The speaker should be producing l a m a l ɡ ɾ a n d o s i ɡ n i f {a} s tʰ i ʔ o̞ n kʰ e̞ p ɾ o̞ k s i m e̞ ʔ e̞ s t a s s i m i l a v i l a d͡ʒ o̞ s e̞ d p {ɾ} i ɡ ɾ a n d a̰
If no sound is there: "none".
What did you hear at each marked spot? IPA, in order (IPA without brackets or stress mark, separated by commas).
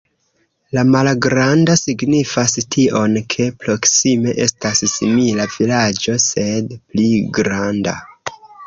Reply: a, l